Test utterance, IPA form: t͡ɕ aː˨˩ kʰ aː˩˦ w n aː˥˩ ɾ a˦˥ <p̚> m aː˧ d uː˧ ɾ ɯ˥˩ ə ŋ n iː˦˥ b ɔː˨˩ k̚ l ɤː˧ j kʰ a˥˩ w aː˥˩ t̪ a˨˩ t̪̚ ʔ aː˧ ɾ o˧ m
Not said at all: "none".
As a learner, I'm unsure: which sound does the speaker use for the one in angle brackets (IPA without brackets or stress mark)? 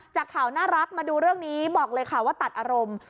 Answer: k̚